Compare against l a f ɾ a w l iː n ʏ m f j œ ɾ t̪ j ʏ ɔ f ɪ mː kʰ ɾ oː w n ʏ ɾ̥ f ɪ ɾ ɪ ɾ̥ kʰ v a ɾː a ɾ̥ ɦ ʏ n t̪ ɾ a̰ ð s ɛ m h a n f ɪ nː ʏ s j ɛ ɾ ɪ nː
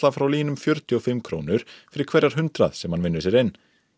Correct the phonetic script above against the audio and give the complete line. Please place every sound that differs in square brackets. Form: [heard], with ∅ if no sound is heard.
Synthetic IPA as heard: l a f ɾ a w l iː n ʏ m f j œ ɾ t̪ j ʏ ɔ f ɪ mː kʰ ɾ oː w n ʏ ɾ̥ f ɪ ɾ ɪ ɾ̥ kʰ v [ɛ] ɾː a ɾ̥ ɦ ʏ n t̪ ɾ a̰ ð s ɛ m h a n [v] ɪ nː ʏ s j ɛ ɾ ɪ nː